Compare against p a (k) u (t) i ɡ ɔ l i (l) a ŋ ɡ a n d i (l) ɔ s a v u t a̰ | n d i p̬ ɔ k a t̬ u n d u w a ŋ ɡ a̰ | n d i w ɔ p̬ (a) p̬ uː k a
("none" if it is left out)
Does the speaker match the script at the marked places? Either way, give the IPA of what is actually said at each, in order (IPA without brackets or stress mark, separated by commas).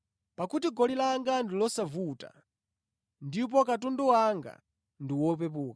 k, t, l, l, ɛ